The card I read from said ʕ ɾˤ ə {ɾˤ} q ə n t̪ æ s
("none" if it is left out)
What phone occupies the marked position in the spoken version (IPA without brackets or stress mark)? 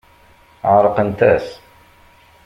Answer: none